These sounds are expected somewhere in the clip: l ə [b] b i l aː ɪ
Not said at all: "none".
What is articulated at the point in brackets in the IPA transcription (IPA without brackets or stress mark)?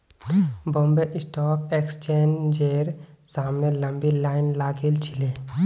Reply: m